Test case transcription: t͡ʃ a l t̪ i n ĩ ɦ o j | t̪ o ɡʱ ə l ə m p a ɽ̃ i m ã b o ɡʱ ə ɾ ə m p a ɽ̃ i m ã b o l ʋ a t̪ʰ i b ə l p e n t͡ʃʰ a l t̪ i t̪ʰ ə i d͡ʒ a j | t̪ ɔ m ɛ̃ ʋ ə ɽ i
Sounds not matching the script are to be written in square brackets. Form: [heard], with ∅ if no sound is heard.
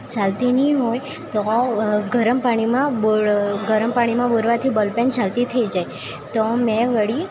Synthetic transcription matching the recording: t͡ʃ a l t̪ i n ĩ ɦ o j | t̪ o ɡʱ ə [ɾ] ə m p a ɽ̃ i m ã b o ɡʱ ə ɾ ə m p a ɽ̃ i m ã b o [ɾ] ʋ a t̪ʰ i b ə l p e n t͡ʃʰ a l t̪ i t̪ʰ ə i d͡ʒ a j | t̪ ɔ m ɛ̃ ʋ ə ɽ i